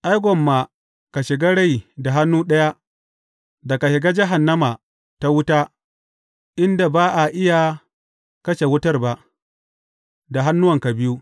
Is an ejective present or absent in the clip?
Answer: absent